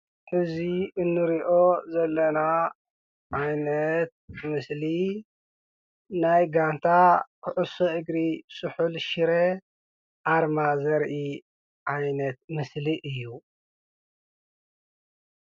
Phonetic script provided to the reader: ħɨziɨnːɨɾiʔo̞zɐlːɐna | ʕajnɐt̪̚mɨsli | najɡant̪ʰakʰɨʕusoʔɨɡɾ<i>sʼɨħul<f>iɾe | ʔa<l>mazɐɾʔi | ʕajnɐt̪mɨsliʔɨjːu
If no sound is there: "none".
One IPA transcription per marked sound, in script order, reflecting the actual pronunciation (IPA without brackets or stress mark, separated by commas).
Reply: i, ʃ, ɾ